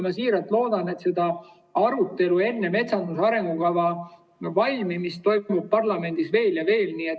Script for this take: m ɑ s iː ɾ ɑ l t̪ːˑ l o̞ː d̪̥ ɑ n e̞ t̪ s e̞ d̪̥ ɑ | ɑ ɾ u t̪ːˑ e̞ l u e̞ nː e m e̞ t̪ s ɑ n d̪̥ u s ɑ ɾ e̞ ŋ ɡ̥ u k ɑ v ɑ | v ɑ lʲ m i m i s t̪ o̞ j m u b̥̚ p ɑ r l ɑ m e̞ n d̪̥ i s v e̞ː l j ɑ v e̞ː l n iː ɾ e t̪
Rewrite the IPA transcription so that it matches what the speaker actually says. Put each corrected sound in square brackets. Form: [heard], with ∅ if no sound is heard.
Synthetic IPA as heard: m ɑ s iː ɾ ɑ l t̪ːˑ l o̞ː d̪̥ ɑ n e̞ t̪ s e̞ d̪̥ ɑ | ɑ ɾ u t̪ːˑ e̞ l u e̞ nː e m e̞ t̪ s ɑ n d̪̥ u s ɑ ɾ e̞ ŋ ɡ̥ u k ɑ v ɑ | v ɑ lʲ m i m i s t̪ o̞ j m u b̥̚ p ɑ r l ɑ m e̞ n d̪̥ i s v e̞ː l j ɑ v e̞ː l n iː [∅] e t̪